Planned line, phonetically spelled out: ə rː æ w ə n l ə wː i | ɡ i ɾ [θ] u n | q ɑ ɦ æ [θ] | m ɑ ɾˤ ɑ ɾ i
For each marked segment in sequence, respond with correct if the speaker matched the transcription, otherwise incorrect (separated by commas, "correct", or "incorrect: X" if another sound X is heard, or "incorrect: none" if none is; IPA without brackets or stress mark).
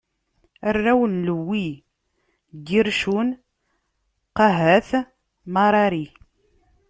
incorrect: ʃ, correct